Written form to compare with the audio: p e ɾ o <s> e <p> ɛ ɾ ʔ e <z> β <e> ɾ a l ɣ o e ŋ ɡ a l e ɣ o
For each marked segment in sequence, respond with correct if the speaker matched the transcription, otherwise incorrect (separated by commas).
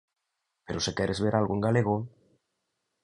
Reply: correct, incorrect, correct, correct